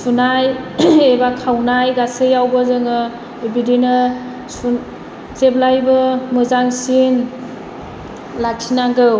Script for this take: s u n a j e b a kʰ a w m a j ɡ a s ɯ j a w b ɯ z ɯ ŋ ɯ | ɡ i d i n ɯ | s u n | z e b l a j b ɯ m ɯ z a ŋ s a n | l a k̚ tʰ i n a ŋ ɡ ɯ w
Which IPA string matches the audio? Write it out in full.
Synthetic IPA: s u n a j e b a kʰ a w n a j ɡ a s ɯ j a w b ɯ z ɯ ŋ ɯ | b i d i n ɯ | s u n | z e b l a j b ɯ m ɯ z a ŋ s i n | l a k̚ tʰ i n a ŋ ɡ ɯ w